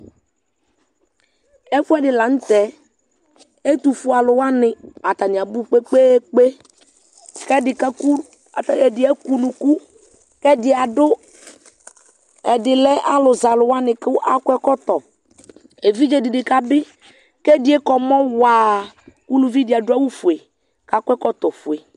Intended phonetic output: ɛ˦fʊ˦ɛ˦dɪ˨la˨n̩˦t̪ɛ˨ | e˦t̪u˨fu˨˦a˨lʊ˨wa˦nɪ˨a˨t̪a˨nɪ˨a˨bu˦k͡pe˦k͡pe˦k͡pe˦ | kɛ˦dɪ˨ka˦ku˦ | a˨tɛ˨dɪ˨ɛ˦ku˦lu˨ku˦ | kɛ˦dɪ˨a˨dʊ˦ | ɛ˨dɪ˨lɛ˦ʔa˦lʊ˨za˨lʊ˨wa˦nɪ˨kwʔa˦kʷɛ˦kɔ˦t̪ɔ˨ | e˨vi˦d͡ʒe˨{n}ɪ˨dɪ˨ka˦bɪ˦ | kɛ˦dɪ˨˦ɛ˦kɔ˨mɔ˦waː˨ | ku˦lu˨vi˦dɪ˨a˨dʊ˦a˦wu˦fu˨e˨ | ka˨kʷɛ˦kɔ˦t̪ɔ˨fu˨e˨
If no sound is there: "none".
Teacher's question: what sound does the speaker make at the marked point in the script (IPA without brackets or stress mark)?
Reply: d